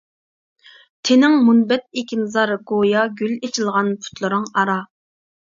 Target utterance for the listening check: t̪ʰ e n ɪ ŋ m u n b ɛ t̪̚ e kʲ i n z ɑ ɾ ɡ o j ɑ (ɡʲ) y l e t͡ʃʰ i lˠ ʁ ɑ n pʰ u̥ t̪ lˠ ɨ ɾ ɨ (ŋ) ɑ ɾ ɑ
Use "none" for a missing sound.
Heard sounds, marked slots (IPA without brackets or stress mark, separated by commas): ɡʲ, ŋ